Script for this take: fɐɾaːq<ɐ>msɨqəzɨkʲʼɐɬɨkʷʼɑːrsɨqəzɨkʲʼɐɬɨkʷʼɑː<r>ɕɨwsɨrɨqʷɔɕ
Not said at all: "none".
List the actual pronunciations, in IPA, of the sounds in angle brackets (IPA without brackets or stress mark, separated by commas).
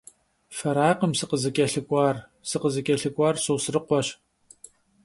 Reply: ə, r